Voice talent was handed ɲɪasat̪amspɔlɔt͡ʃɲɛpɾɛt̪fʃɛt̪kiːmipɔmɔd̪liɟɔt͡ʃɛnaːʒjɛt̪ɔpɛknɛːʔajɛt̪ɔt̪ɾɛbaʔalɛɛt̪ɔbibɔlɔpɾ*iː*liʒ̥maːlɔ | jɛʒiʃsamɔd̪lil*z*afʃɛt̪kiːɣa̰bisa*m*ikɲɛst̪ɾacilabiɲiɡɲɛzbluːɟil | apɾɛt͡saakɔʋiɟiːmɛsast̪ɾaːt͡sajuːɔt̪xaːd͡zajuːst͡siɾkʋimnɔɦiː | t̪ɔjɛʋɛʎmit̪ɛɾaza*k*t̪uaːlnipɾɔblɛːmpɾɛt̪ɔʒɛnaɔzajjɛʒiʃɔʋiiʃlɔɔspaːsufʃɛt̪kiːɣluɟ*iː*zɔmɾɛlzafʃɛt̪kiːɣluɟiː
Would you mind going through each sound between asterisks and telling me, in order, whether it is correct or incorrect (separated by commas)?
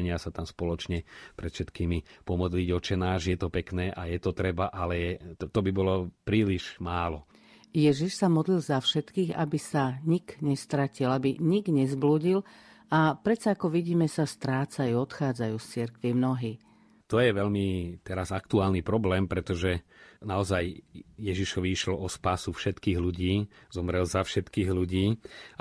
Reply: correct, correct, incorrect, correct, correct